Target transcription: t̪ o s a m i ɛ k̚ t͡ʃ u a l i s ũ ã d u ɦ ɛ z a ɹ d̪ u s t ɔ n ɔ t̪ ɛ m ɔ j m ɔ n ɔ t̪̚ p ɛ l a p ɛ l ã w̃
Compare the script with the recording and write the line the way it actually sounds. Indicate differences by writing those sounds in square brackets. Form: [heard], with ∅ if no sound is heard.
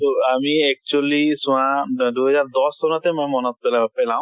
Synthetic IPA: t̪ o [∅] a m i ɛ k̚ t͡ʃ u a l i s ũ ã d u ɦ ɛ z a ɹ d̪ [ɔ] s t ɔ n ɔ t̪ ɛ m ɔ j m ɔ n ɔ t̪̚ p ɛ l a p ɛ l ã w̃